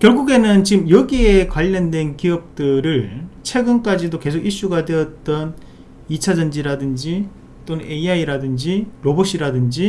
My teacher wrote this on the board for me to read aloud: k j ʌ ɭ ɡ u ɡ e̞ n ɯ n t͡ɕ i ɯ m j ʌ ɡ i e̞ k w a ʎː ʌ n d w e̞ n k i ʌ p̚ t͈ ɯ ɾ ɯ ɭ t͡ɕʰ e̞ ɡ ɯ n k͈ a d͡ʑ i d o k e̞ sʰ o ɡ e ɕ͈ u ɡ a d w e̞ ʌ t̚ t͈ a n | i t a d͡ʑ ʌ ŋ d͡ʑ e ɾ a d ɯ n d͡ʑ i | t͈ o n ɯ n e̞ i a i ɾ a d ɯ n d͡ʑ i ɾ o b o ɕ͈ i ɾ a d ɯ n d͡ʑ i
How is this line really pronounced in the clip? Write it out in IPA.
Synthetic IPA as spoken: k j ʌ ɭ ɡ u ɡ e̞ n ɯ n t͡ɕ i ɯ m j ʌ ɡ i e̞ k w a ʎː ʌ n d w e̞ n k i ʌ p̚ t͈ ɯ ɾ ɯ ɭ t͡ɕʰ e̞ ɡ ɯ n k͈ a d͡ʑ i d o k e̞ sʰ o ɡ i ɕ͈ u ɡ a d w e̞ ʌ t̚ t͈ ʌ n | i t͡ɕʰ a d͡ʑ ʌ n d͡ʑ i ɾ a d ɯ n d͡ʑ i | t͈ o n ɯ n e̞ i a i ɾ a d ɯ n d͡ʑ i ɾ o b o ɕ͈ i ɾ a d ɯ n d͡ʑ i